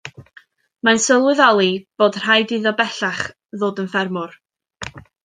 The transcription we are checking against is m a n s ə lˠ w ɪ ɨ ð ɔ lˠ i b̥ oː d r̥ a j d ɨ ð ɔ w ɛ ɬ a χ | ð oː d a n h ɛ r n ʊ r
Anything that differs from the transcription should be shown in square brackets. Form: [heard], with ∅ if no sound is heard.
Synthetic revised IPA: m a n s ə lˠ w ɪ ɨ ð ɔ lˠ i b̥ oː d r̥ a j d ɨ ð ɔ [b] ɛ ɬ a χ | ð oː d [ə] n [f] ɛ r [m] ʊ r